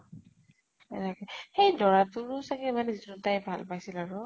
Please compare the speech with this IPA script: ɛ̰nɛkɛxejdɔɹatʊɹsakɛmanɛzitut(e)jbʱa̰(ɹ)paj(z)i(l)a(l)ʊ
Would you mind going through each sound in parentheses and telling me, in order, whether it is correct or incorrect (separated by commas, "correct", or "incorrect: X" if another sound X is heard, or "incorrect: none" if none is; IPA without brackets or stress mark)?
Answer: incorrect: a, incorrect: l, incorrect: s, correct, incorrect: ɹ